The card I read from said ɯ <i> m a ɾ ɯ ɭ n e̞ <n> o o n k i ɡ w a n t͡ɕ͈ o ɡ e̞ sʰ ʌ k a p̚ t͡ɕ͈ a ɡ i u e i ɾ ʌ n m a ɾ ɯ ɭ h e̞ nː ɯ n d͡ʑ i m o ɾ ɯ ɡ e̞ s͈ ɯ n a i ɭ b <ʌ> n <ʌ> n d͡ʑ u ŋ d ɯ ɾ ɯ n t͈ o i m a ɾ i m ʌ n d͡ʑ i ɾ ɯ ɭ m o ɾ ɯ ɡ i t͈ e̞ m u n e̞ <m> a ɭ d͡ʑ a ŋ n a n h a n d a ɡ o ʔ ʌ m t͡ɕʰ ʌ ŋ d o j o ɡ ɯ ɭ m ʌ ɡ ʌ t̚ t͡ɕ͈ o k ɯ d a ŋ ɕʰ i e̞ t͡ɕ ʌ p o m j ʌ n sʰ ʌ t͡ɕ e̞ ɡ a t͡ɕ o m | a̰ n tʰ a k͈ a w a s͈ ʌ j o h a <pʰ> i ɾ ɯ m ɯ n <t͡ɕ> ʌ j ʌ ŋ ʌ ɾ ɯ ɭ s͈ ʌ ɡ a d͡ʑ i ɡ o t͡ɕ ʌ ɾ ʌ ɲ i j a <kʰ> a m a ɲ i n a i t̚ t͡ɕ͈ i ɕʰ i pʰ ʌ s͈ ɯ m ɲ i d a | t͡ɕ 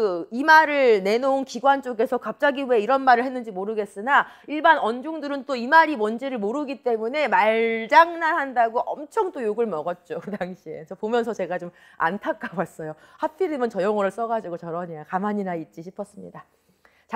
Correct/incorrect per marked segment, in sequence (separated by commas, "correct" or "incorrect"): correct, correct, incorrect, correct, correct, correct, correct, incorrect